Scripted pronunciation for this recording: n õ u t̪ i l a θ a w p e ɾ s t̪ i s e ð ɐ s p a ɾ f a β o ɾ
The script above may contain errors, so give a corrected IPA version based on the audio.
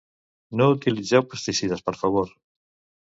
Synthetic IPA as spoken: n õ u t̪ i l i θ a w p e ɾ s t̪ i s i ð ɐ s p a ɾ f a β o ɾ